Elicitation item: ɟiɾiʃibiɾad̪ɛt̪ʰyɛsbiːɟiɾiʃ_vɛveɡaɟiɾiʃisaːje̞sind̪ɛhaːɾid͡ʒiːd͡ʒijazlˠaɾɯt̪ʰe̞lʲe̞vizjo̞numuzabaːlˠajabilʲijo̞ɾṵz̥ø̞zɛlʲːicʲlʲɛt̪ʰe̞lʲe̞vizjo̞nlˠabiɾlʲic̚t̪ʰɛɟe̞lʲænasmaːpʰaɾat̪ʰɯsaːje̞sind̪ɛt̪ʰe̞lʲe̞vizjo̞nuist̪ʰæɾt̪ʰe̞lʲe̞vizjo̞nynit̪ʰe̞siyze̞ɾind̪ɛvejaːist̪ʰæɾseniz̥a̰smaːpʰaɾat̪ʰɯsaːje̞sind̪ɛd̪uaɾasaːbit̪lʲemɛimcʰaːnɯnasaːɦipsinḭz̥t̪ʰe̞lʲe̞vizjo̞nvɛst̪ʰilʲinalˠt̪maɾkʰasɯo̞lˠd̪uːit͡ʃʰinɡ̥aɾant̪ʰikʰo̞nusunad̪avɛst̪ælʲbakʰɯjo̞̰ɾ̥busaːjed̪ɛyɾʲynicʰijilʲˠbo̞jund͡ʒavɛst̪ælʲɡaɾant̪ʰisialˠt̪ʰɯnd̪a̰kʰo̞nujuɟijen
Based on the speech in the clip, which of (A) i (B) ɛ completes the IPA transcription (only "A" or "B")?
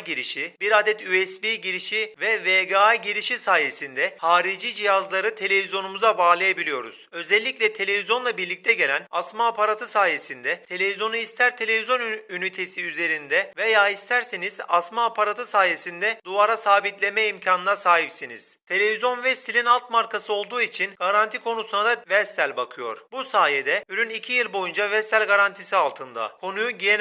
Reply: A